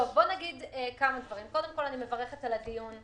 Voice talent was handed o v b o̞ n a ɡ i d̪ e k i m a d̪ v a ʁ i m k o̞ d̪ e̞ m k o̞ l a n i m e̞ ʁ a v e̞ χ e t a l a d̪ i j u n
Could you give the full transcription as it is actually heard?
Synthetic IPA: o v b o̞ n a ɡ i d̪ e k a m a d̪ v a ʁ i m k o̞ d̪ e̞ m k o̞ l a n i m e̞ v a ʁ e̞ χ e t a l a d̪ i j u n